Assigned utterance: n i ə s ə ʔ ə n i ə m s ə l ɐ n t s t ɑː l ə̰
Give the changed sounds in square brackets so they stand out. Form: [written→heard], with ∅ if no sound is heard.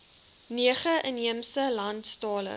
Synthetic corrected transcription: n i ə [s→χ] ə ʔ ə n i ə m s ə l ɐ n t s t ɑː l ə̰